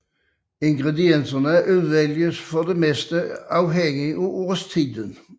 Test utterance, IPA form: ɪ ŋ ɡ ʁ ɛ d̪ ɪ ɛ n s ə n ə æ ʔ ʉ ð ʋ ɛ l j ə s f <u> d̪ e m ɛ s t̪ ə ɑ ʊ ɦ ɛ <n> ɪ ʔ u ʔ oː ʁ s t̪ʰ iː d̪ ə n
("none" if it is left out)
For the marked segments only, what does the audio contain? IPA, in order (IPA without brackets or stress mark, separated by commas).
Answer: ɔ, ŋ